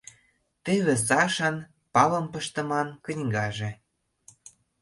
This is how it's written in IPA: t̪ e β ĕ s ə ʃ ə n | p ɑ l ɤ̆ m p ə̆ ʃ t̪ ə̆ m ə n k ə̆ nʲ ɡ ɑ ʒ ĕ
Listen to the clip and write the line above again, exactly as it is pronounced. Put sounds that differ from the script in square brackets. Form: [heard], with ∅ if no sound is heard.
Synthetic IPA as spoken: t̪ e β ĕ s [ɑ] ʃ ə n | p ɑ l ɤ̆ m p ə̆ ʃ t̪ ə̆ m [ɑ] n k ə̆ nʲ ɡ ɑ ʒ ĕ